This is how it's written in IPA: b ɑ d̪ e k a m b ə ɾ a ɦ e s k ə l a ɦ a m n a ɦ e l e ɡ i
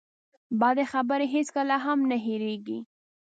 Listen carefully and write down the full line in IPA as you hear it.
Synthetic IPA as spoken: b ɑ d̪ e x a b ə ɾ e ɦ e s k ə l a ɦ a m n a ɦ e ɾ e ɡ i